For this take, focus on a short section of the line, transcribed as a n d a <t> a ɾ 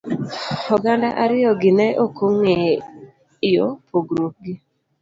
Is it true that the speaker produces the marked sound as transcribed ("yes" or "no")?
no